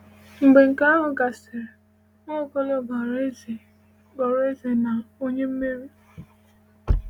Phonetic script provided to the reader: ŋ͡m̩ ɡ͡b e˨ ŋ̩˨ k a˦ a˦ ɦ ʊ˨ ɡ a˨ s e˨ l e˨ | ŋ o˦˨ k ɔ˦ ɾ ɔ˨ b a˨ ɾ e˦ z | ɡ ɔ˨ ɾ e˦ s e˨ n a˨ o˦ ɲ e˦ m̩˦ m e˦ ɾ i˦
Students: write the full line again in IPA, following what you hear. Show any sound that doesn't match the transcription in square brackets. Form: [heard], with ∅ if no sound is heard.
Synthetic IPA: ŋ͡m̩ ɡ͡b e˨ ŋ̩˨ k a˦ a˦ ɦ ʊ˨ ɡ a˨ s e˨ [ɾ] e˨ | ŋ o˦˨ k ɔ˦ [l] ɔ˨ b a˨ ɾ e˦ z | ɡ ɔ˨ ɾ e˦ [z] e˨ n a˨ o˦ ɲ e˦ m̩˦ m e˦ ɾ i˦